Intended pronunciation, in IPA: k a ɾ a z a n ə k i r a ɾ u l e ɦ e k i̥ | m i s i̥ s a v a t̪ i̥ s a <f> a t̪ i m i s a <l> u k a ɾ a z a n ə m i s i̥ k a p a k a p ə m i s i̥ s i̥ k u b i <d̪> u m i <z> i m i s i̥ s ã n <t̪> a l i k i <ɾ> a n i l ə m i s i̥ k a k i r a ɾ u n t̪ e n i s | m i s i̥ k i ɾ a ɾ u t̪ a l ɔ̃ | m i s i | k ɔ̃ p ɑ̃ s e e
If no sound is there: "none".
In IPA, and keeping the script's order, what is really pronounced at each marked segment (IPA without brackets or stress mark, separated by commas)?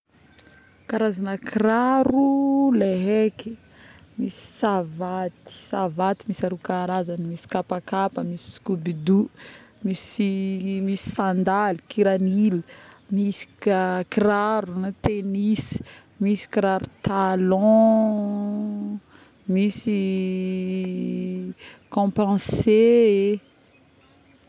v, ɾ, d̪, s, d̪, ɾ